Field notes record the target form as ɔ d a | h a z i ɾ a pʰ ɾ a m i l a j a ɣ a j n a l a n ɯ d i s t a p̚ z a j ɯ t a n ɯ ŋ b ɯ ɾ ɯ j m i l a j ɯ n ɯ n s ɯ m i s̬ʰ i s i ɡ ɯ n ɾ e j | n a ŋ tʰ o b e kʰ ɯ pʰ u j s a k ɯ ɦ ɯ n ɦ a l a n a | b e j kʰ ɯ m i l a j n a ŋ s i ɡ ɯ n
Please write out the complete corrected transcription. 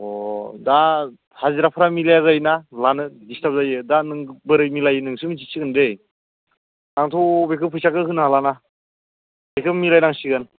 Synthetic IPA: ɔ d a | h a z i ɾ a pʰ ɾ a m i l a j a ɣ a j n a l a n ɯ d i s t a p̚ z a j ɯ d a n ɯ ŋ b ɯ ɾ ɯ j m i l a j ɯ n ɯ ŋ s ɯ m i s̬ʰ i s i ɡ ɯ n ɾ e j | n a ŋ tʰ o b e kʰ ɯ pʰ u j s a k ɯ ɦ ɯ n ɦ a l a n a | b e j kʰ ɯ m i l a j n a ŋ s i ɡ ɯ n